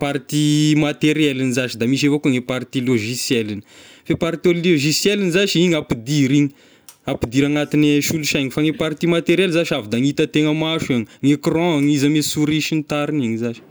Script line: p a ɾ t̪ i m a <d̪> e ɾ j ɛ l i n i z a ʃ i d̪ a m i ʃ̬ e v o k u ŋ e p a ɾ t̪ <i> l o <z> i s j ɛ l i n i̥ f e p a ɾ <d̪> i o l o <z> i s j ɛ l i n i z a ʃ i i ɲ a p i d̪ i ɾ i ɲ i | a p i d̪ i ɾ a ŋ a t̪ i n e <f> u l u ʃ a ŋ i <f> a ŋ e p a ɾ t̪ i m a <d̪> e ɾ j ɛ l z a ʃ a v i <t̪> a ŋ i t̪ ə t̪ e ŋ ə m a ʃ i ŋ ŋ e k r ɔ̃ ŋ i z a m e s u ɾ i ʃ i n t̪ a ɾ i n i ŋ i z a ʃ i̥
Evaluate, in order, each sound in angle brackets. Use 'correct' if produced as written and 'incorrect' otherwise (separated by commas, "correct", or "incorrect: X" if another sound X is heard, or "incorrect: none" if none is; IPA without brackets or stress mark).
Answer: incorrect: t̪, correct, incorrect: ʒ, incorrect: t̪, incorrect: ʒ, incorrect: ʃ, correct, incorrect: t̪, incorrect: d̪